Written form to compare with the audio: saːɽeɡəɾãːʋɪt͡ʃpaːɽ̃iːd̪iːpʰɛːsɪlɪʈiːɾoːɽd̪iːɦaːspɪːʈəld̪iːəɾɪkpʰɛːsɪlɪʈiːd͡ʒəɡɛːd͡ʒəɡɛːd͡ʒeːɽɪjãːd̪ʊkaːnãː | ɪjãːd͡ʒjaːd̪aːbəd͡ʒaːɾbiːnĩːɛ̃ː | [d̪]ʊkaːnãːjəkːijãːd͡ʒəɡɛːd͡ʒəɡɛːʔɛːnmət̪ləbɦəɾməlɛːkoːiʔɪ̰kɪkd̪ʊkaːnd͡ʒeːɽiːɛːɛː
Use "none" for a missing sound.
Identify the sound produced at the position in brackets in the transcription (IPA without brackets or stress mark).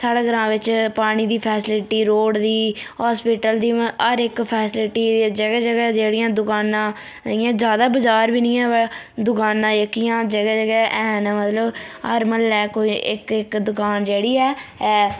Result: d̪